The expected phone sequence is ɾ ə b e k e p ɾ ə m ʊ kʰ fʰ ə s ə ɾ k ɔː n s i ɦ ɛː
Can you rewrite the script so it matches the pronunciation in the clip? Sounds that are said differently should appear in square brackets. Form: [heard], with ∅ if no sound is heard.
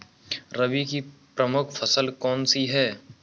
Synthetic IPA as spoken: ɾ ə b [i] k [i] p ɾ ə m ʊ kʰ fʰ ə s ə [l] k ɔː n s i ɦ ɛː